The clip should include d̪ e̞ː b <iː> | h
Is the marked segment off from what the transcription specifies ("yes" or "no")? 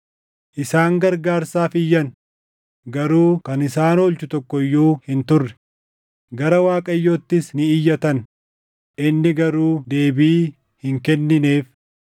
no